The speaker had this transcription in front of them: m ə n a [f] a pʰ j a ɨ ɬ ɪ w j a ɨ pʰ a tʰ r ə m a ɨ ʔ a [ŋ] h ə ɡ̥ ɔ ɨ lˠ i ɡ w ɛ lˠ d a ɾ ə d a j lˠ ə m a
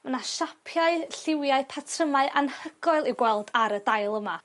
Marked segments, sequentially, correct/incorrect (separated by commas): incorrect, incorrect